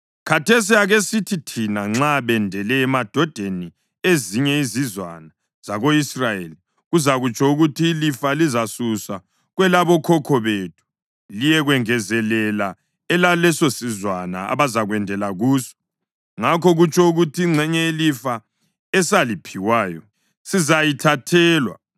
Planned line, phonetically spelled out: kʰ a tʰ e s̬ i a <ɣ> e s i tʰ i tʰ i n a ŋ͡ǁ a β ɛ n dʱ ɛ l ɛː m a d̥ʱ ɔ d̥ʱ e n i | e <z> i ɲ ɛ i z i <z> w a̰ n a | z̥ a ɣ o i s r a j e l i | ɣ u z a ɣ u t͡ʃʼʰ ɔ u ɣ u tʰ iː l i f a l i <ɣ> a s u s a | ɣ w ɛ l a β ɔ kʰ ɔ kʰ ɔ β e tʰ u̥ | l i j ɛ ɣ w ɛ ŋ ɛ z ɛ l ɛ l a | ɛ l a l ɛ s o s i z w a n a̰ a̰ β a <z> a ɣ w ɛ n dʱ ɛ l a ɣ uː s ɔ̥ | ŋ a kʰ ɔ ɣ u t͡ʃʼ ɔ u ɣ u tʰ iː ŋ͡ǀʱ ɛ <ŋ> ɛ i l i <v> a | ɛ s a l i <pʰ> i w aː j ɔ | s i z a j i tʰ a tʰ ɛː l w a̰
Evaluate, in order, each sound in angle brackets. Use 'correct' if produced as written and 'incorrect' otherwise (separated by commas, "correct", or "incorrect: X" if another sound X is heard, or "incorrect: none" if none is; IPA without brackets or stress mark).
correct, correct, correct, incorrect: z, correct, incorrect: ɲ, incorrect: f, correct